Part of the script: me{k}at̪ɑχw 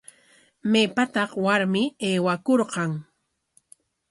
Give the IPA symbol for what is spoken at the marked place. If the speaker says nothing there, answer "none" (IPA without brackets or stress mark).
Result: p